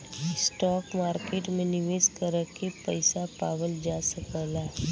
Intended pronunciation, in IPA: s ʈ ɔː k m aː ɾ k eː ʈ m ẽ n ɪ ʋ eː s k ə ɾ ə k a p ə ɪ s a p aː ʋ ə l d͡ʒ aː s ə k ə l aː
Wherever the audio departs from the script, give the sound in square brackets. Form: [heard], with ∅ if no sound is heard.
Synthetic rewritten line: s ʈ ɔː k m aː ɾ k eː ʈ m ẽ n ɪ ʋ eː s k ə ɾ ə k [e] p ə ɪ s a p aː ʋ ə l d͡ʒ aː s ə k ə l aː